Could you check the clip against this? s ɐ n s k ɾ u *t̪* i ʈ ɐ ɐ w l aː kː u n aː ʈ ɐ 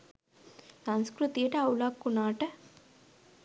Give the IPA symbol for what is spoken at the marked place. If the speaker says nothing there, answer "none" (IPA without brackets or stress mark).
t̪